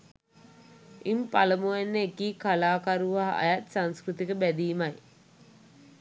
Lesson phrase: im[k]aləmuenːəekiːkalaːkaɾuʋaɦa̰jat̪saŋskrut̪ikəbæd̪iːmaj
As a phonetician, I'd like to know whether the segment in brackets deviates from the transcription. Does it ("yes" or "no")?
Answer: yes